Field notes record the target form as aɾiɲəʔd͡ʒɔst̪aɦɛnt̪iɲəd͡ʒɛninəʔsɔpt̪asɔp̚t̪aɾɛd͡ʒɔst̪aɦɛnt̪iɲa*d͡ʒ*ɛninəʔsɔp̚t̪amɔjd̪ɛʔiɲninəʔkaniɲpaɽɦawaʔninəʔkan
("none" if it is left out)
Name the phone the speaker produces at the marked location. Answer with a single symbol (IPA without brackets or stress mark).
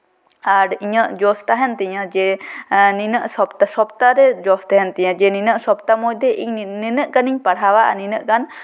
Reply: d͡ʒ